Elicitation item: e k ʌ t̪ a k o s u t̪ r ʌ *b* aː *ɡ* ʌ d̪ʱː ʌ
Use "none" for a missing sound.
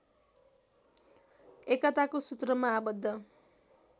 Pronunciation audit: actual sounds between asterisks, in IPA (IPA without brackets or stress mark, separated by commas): m, b